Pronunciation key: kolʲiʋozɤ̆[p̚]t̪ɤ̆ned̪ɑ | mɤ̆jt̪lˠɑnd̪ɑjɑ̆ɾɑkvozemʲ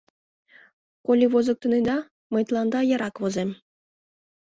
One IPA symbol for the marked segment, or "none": k̚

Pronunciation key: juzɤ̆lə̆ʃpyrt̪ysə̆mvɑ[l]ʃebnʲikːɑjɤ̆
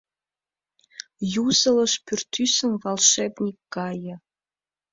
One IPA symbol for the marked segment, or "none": l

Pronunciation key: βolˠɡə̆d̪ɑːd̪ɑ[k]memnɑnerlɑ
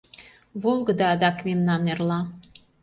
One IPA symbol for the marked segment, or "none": k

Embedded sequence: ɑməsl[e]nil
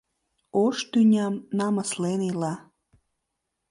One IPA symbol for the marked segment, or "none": e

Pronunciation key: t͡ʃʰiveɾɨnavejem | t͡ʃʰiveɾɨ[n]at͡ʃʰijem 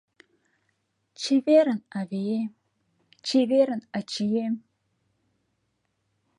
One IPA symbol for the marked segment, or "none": n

